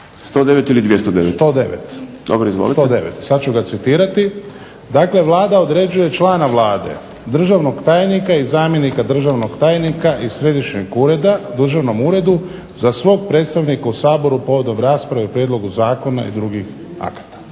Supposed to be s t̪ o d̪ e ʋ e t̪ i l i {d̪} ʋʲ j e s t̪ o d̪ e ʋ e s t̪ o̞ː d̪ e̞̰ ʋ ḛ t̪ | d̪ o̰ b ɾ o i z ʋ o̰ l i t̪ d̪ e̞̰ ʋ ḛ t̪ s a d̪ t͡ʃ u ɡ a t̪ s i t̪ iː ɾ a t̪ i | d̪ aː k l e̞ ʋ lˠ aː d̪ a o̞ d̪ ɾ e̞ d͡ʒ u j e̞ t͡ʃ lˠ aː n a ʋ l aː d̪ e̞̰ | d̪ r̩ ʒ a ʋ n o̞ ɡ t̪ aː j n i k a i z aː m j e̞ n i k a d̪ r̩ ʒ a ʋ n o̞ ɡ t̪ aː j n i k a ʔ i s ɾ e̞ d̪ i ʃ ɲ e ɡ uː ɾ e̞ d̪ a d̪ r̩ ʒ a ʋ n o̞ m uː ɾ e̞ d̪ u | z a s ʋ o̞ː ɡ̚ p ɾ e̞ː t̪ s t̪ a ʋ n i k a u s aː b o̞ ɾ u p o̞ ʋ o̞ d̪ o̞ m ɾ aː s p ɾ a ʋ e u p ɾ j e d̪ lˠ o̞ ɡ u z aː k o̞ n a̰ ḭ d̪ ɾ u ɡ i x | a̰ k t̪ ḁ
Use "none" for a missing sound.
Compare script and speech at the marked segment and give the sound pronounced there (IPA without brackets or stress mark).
d̪